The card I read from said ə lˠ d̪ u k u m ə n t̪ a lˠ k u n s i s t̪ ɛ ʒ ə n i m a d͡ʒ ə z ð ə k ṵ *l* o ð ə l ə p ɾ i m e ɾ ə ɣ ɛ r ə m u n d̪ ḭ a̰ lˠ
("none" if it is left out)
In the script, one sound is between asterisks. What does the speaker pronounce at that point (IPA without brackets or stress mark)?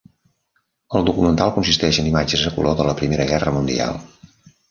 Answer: l